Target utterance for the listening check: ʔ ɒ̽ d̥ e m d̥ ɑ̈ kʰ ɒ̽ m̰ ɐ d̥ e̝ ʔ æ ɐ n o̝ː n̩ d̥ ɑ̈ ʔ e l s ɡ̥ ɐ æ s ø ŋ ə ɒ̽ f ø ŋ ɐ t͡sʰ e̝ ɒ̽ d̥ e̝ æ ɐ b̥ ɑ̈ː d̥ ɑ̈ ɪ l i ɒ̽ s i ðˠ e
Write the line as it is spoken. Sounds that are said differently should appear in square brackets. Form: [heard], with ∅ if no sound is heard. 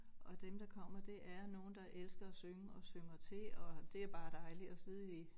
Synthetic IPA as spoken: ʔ ɒ̽ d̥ e m d̥ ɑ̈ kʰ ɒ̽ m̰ ɐ d̥ e̝ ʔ æ ɐ n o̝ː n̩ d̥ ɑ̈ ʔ e l s ɡ̥ ɐ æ s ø ŋ ə ɒ̽ [s] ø ŋ ɐ t͡sʰ e̝ ɒ̽ d̥ e̝ æ ɐ b̥ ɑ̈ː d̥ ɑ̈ ɪ l i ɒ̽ s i ðˠ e